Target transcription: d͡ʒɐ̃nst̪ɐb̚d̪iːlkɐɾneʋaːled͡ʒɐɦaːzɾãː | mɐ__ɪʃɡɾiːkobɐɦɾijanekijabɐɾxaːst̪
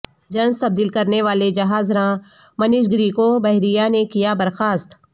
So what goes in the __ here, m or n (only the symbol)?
n